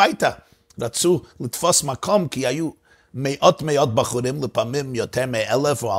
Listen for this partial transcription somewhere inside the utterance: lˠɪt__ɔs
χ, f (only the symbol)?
f